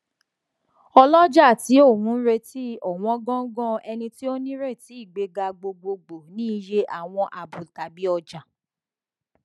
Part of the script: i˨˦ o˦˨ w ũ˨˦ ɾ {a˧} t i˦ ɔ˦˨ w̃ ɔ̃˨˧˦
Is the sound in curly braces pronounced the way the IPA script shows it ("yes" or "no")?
no